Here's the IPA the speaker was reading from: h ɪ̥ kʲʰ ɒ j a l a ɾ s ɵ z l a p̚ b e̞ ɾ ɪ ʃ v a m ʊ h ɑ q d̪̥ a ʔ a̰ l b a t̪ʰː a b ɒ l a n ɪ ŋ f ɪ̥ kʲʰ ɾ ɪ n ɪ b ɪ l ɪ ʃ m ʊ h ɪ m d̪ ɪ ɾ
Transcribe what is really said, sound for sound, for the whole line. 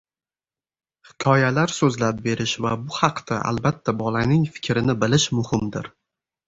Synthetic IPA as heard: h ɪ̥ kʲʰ ɒ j a l a ɾ s ɵ z l a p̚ b e̞ ɾ ɪ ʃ v a b ʊ h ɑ q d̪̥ a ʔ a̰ l b a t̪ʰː a b ɒ l a n ɪ ŋ f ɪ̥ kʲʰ ɾ ɪ n ɪ b ɪ l ɪ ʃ m ʊ h ɪ m d̪ ɪ ɾ